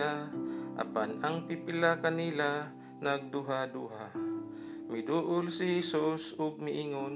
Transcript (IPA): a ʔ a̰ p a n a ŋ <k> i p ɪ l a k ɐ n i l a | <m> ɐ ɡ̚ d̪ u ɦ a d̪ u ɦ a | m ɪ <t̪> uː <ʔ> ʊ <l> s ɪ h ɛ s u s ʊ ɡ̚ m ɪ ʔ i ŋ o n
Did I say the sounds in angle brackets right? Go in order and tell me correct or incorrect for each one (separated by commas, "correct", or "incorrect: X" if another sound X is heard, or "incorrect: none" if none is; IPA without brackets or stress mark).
incorrect: p, incorrect: n, incorrect: d̪, correct, correct